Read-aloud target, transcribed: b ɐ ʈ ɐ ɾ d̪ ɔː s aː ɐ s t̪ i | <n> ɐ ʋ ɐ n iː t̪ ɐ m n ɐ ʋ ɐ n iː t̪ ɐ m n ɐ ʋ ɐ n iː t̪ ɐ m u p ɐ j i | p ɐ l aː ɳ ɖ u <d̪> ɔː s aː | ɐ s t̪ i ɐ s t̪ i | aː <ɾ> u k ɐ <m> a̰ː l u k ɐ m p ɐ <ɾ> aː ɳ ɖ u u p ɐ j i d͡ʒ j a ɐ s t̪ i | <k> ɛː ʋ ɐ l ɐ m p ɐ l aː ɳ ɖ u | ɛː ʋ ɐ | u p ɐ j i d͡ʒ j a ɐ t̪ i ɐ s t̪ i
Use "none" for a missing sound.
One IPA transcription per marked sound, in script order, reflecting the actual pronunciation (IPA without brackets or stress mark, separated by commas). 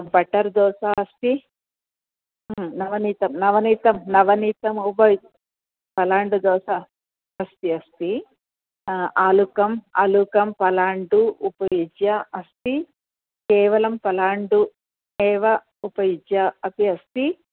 n, d̪, l, m, l, k